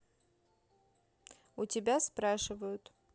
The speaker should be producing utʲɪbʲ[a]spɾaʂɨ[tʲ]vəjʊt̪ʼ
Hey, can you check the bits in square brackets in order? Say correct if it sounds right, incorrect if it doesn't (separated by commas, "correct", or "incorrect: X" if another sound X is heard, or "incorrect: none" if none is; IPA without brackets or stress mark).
correct, incorrect: none